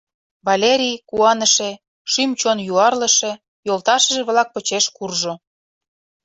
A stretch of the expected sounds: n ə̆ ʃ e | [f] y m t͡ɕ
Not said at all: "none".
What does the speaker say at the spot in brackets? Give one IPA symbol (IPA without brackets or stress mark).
ʃ